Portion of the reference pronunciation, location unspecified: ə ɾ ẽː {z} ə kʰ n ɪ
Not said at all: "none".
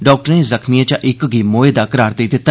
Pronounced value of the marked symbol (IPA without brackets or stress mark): z